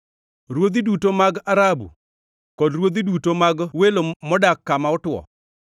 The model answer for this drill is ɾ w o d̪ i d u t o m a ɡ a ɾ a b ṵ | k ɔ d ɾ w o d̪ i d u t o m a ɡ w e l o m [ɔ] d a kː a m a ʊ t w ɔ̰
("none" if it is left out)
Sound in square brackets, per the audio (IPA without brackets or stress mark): ɔ